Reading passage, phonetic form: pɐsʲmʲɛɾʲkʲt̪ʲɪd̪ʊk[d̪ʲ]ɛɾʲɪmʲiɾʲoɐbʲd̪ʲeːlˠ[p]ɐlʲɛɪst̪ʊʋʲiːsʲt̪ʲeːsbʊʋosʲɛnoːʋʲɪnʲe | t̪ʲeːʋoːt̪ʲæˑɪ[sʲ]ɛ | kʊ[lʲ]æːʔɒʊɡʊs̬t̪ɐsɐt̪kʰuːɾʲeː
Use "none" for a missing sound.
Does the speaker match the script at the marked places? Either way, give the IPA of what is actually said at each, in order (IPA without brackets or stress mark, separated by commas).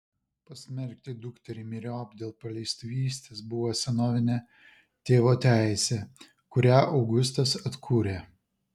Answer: t̪ʲ, p, sʲ, ɾʲ